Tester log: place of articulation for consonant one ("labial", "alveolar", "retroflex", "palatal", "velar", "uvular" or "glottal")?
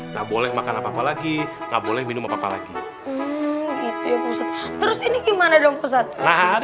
velar